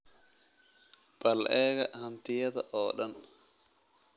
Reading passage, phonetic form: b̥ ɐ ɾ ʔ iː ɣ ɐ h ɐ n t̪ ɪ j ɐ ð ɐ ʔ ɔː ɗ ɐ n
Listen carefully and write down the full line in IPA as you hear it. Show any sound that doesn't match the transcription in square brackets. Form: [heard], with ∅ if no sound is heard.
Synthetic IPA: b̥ ɐ [l] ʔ [ɛː] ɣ ɐ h ɐ n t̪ ɪ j ɐ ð ɐ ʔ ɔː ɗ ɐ n